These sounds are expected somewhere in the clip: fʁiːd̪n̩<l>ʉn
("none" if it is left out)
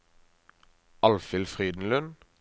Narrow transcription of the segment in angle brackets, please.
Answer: l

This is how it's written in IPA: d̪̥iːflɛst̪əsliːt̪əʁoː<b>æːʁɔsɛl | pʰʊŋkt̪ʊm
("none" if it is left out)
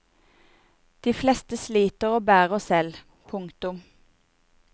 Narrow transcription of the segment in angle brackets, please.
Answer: b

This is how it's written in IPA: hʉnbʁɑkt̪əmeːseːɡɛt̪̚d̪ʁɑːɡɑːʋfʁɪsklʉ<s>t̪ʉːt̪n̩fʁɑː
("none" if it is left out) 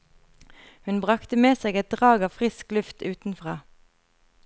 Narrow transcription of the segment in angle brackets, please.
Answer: f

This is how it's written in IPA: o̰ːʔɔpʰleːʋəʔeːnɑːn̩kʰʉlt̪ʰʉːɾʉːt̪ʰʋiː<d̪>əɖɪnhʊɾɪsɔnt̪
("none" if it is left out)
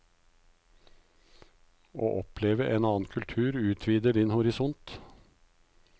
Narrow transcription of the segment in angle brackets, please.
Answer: d̪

